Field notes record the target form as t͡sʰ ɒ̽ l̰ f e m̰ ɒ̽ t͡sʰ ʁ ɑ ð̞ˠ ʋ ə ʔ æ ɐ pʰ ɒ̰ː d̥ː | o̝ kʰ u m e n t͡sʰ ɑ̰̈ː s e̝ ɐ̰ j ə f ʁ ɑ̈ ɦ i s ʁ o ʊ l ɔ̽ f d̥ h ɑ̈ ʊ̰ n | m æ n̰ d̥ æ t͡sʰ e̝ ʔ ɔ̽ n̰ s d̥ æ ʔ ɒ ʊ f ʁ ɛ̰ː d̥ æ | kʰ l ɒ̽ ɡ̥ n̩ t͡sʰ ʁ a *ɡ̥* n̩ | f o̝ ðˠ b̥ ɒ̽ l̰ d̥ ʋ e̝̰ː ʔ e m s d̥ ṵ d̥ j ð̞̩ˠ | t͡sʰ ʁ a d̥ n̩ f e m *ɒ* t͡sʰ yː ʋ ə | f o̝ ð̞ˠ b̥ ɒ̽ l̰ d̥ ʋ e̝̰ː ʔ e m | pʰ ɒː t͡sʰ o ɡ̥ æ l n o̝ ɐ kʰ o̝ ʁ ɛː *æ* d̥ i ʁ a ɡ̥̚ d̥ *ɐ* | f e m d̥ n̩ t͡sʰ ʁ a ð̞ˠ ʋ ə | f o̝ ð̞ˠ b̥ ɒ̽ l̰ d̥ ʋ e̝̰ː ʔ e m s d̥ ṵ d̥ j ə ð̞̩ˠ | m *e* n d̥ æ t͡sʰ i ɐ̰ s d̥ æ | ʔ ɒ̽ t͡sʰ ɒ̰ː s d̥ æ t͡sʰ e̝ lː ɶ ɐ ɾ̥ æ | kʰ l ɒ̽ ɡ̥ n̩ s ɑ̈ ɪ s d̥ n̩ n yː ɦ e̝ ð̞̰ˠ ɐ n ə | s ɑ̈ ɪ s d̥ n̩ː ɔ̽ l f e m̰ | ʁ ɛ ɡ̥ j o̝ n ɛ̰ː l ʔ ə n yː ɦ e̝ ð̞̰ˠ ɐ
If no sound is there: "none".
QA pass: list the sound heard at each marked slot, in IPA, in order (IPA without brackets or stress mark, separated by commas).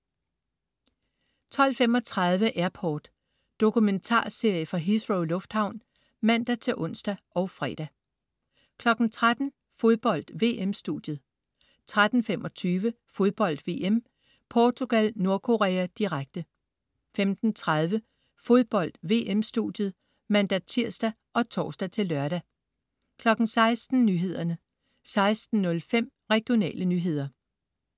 d̥, ɒ, æ, ə, æ